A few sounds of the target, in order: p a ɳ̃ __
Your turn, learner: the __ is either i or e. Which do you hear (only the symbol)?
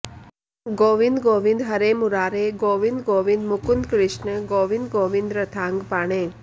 e